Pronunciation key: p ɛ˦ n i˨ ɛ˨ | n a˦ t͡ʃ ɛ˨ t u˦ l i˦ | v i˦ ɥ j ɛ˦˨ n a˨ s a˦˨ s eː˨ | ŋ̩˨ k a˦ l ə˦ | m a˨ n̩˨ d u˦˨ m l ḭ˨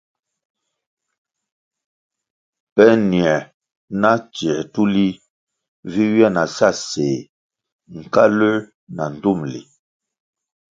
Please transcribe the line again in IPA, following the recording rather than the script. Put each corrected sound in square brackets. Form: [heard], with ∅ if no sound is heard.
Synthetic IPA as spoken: p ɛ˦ n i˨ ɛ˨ | n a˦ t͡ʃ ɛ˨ t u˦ l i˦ | v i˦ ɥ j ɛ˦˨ n a˨ s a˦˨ s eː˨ | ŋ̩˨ k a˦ l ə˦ | [n] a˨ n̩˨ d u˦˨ m l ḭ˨